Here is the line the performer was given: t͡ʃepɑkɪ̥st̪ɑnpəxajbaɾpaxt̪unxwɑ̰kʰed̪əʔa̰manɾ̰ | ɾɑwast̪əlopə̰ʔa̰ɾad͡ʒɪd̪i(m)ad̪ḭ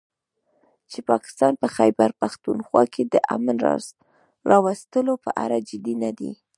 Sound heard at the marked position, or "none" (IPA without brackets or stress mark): n